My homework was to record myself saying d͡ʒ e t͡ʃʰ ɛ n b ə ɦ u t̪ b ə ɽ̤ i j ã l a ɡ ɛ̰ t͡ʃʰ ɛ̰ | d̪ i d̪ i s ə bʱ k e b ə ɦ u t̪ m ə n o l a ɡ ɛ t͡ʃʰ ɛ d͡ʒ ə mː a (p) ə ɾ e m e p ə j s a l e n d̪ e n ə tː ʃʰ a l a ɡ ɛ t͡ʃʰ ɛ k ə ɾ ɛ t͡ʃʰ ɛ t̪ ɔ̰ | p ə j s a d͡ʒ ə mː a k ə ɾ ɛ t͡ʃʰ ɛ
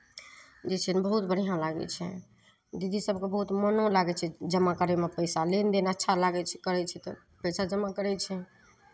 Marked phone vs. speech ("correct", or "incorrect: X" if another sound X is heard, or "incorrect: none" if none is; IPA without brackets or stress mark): incorrect: k